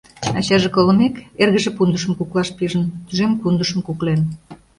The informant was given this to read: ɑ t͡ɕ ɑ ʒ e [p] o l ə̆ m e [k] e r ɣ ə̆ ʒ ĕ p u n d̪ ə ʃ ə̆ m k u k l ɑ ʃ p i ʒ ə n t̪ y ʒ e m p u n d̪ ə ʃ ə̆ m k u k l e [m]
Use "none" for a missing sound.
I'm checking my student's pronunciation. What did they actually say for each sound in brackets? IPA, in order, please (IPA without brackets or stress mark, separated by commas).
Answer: k, k, n